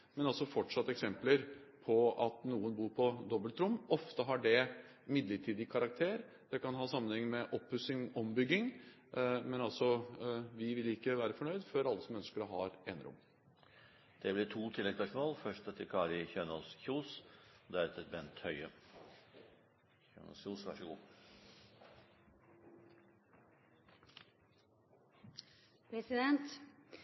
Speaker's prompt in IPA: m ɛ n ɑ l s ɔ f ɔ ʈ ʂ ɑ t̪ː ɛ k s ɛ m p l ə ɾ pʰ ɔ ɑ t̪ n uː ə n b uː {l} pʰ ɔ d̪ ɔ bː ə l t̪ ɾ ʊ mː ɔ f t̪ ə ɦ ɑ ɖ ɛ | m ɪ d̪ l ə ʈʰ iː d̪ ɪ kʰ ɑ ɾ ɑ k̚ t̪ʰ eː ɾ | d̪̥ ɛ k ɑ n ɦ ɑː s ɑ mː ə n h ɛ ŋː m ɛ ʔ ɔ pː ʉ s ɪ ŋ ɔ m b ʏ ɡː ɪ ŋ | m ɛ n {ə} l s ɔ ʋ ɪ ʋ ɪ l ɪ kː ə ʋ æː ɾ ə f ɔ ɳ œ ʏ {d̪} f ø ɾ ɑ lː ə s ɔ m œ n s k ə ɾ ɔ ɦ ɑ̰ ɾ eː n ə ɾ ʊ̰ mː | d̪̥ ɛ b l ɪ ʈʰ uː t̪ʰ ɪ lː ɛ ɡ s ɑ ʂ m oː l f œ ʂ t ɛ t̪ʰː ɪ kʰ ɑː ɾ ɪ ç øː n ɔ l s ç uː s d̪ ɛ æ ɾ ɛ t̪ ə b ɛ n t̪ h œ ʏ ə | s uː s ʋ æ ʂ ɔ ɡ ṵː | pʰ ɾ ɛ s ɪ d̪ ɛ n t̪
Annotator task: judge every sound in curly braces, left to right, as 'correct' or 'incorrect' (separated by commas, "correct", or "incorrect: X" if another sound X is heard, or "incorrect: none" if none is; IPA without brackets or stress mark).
incorrect: ɾ, incorrect: ɑ, correct